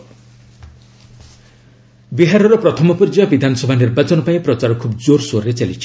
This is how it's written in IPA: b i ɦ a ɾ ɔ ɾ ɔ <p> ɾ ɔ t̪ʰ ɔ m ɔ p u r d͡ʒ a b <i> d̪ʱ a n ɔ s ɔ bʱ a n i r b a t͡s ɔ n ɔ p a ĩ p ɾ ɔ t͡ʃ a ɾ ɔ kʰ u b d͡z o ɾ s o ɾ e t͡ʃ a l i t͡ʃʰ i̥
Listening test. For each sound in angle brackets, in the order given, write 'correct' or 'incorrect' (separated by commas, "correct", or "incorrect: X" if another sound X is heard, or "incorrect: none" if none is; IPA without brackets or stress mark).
correct, correct